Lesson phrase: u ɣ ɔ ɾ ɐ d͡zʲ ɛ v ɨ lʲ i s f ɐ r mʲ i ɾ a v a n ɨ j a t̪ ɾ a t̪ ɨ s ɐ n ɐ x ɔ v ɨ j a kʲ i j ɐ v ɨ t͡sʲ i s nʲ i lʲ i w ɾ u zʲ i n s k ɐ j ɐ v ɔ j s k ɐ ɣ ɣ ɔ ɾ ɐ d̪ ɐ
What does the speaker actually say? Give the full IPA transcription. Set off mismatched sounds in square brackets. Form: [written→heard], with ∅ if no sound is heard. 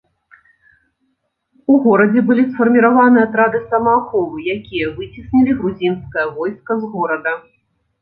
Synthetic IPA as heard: u ɣ ɔ ɾ ɐ d͡zʲ ɛ [v→b] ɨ lʲ i s f ɐ r mʲ i ɾ a v a n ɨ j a t̪ ɾ a [t̪→d̪] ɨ s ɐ [n→m] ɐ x ɔ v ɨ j a kʲ i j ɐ v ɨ t͡sʲ i s nʲ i lʲ i [w→ɣ] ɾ u zʲ i n s k ɐ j ɐ v ɔ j s k ɐ [ɣ→z] ɣ ɔ ɾ ɐ d̪ ɐ